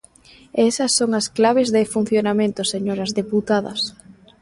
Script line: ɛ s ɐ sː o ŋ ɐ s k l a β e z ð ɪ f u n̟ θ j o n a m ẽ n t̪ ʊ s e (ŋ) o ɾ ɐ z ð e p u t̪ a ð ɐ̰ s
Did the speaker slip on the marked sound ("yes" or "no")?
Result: yes